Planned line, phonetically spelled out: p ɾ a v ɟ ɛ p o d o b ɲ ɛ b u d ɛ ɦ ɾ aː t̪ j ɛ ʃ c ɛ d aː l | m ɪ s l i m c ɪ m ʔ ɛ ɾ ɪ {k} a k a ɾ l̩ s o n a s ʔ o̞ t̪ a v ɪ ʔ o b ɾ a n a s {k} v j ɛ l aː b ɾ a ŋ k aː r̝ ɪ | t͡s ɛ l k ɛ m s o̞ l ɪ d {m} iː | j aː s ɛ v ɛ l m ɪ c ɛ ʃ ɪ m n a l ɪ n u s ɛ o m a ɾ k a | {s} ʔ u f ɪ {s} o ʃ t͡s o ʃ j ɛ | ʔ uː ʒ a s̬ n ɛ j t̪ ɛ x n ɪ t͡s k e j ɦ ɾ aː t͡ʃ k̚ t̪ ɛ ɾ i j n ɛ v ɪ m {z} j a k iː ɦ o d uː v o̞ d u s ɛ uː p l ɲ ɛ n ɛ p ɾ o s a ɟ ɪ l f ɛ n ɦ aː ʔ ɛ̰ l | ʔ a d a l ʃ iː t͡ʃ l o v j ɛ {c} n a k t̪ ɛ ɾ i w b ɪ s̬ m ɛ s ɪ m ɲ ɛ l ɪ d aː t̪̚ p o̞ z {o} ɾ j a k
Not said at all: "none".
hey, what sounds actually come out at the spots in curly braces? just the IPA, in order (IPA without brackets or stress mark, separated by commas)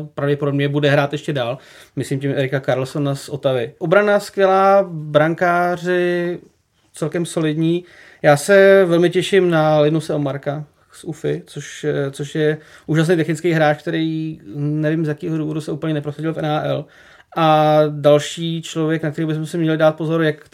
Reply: k, k, ɲ, s, t͡s, z, k, o